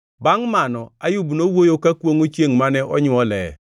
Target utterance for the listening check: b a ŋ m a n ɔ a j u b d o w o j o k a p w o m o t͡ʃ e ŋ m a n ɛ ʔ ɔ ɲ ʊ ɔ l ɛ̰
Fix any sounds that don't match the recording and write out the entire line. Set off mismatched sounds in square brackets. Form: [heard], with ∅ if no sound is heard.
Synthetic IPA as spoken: b a ŋ m a n ɔ a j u b [n] o w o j o k a [k] w o [ŋ] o t͡ʃ e ŋ m a n ɛ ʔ ɔ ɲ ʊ ɔ l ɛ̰